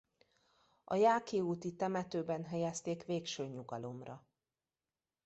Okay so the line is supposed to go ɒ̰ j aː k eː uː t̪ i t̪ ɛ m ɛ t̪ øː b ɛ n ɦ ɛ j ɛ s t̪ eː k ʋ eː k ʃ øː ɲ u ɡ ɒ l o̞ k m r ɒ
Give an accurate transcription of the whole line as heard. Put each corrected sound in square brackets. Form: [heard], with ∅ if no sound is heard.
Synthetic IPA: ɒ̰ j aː k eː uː t̪ i t̪ ɛ m ɛ t̪ øː b ɛ n ɦ ɛ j ɛ s t̪ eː k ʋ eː k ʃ øː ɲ u ɡ ɒ l o̞ [∅] m r ɒ